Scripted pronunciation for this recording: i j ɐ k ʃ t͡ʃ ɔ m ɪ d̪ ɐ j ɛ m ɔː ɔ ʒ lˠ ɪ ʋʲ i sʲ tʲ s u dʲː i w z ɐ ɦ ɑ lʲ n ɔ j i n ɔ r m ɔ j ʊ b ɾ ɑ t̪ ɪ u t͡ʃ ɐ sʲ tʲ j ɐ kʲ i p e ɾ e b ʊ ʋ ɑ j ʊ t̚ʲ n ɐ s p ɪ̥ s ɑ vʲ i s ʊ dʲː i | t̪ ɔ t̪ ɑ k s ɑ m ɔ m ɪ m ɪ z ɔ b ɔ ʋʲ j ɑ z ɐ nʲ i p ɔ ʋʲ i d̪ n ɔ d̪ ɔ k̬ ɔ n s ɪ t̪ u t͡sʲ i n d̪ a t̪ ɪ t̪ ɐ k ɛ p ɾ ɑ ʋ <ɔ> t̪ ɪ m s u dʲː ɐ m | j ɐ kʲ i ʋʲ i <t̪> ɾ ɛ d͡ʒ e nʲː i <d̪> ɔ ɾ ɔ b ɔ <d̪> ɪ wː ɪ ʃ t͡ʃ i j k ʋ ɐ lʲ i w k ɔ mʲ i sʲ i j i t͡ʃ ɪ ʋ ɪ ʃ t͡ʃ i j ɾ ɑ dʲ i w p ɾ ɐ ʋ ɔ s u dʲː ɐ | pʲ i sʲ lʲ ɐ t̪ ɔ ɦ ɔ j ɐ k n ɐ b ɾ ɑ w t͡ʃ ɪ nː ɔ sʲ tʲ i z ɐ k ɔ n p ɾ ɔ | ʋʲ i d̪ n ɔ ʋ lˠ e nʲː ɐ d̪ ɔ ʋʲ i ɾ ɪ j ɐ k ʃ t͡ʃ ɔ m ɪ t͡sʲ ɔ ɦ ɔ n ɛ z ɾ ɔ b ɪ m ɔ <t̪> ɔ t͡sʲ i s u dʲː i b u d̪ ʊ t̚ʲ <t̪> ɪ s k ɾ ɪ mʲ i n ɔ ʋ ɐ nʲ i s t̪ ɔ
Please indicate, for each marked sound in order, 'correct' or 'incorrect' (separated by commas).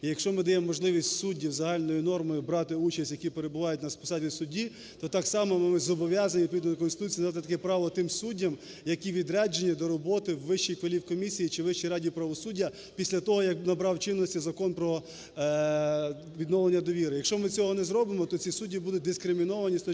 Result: correct, incorrect, correct, incorrect, correct, incorrect